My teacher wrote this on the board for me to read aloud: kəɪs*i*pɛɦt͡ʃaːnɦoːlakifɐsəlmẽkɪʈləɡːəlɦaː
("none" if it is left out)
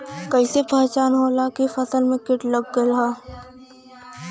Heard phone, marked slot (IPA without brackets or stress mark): e